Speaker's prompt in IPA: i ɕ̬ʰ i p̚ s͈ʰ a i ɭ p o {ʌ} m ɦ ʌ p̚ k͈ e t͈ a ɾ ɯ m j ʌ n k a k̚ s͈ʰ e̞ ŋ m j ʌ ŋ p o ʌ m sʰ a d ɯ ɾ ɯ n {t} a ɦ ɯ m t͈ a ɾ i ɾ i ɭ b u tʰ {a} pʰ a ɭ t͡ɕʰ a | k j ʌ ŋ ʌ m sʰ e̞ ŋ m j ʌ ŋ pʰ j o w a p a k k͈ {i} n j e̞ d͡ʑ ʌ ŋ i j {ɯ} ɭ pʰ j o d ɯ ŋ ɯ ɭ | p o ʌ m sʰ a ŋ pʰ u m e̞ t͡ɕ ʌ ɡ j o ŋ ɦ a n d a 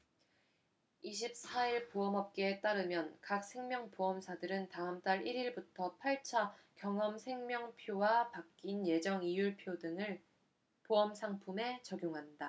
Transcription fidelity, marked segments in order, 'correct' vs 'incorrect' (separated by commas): correct, correct, incorrect, correct, incorrect